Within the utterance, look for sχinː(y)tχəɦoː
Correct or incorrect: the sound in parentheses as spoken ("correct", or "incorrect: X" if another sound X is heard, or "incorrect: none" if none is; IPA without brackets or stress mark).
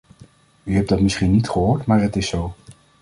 incorrect: i